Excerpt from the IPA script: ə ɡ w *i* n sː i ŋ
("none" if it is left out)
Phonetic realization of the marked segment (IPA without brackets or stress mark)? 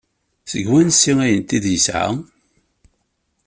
æ